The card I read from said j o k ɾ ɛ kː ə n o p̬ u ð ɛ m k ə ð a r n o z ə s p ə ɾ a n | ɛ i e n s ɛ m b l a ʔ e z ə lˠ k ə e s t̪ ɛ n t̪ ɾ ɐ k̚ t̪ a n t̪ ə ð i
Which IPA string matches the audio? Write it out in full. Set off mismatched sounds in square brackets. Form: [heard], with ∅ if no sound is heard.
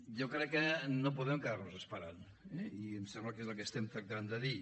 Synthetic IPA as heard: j o k ɾ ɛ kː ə n o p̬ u ð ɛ m k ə ð a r n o z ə s p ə ɾ a n | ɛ i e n s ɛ m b l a [k] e z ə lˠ k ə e s t̪ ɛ [m] t̪ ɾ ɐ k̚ t̪ a n [d̪] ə ð i